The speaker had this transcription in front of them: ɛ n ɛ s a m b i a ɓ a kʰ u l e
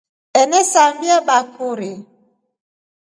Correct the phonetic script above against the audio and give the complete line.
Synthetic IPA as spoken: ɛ n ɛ s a m b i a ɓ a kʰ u ɾ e